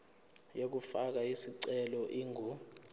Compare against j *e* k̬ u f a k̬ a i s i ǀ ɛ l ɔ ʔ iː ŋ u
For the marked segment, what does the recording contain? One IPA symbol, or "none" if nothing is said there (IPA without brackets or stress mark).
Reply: e